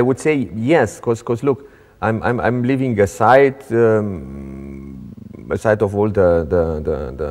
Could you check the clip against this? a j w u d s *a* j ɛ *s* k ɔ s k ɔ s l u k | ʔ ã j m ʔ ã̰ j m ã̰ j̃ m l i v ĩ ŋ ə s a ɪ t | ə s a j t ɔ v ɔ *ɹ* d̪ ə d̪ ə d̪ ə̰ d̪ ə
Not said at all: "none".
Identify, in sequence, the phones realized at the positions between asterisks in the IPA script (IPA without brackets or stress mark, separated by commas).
e, s, l